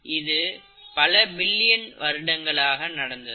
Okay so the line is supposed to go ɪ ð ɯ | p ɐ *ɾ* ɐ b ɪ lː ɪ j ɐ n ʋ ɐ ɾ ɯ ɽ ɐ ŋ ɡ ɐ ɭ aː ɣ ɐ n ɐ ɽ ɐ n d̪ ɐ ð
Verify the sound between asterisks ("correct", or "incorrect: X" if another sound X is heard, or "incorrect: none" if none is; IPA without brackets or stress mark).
incorrect: l